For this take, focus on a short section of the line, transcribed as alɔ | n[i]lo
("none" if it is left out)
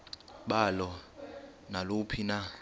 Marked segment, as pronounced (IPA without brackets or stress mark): a